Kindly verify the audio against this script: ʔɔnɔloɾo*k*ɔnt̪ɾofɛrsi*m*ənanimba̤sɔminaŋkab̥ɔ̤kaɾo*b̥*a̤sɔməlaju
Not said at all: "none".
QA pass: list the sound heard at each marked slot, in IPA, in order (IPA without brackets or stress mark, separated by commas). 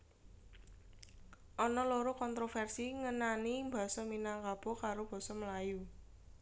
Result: k, ŋ, b̥